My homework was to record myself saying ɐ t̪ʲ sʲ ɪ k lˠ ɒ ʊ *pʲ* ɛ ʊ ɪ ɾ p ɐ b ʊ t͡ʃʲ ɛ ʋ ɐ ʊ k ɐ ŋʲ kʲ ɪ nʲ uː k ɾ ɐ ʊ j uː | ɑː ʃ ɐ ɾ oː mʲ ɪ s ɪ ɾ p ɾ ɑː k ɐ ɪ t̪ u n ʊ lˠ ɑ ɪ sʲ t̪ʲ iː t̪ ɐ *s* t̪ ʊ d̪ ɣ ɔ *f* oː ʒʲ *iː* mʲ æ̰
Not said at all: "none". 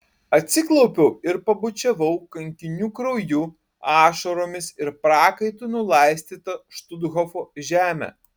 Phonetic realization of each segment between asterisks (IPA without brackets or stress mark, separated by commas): pʲ, ʃ, f, æː